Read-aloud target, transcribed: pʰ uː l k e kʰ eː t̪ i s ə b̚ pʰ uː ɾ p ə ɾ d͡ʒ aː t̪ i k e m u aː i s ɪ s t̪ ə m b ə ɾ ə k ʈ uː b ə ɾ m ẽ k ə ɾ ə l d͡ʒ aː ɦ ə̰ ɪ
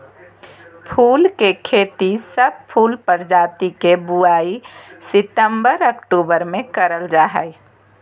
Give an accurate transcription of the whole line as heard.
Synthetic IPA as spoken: pʰ uː l k e kʰ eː t̪ i s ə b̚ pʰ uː l p ə ɾ d͡ʒ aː t̪ i k e b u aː i s ɪ t̪ ə m b ə ɾ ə k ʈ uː b ə ɾ m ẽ k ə ɾ ə l d͡ʒ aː ɦ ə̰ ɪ